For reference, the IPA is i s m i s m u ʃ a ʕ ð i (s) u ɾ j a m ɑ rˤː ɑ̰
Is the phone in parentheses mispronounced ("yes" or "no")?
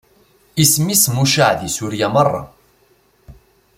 no